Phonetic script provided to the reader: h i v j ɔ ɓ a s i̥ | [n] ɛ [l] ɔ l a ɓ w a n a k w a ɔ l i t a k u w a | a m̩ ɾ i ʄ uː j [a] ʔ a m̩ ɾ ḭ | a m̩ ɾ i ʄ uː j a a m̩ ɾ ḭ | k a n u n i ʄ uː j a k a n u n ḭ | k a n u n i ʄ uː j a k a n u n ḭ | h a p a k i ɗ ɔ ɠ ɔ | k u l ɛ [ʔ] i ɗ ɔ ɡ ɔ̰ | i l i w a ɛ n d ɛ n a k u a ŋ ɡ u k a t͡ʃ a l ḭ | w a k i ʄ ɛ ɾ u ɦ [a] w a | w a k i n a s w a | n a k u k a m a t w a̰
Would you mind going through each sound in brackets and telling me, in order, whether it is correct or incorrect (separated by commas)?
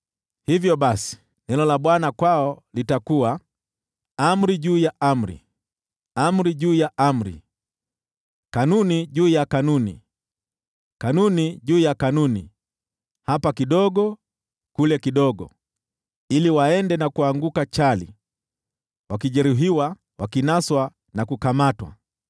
correct, correct, correct, incorrect, incorrect